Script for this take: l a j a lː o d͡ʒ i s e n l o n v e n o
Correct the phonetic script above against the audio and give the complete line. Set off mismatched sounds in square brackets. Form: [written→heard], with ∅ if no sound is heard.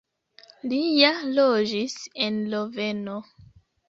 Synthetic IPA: l [a→i] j a [lː→l] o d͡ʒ i s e n l o [n→∅] v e n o